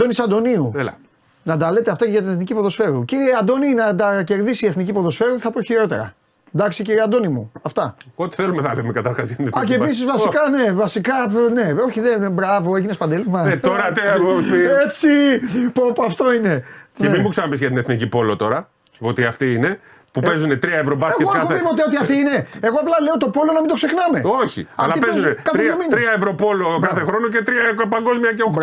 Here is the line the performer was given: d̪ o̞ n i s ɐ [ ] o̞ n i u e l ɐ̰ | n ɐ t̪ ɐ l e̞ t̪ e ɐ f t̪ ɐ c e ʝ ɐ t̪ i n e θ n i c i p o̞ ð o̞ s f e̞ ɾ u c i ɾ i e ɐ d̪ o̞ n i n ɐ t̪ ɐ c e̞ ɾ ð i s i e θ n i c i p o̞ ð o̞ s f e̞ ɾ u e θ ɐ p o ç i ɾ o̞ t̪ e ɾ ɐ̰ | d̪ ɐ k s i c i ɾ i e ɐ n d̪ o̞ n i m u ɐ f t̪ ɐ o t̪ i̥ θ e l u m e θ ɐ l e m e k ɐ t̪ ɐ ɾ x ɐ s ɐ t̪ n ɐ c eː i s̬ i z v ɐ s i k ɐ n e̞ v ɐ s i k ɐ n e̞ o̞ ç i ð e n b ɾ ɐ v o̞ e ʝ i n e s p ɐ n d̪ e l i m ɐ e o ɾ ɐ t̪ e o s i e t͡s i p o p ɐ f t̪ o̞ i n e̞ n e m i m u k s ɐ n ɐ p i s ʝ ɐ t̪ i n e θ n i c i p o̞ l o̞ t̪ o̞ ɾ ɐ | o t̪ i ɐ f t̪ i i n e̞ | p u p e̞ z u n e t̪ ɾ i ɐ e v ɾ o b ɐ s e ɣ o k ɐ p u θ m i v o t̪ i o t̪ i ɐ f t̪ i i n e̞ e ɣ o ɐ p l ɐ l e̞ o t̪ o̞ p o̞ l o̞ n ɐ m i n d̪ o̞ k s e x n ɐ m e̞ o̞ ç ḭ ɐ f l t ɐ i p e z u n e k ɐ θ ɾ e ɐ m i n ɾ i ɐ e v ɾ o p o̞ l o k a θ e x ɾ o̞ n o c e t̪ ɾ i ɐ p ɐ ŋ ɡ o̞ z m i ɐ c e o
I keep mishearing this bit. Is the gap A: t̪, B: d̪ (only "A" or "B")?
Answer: B